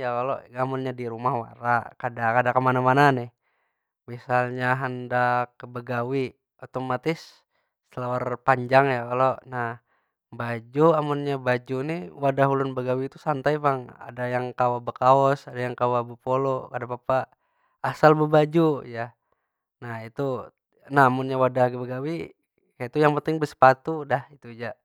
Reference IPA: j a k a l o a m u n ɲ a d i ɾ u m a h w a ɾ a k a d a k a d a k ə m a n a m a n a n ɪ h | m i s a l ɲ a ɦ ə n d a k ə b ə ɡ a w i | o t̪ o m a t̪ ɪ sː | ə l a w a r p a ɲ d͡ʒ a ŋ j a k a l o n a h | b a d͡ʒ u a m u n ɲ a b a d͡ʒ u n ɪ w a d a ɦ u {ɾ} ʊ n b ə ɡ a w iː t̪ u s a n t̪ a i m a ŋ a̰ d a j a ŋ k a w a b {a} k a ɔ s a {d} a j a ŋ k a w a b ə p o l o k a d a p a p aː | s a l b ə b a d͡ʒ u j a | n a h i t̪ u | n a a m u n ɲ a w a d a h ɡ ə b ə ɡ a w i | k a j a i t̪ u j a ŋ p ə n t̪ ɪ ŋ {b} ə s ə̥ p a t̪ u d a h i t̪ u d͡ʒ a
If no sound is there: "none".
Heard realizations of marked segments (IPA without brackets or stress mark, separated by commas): l, ə, d, b